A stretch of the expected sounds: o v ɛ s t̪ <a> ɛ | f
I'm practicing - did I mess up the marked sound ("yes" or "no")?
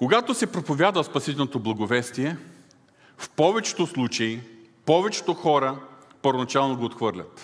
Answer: yes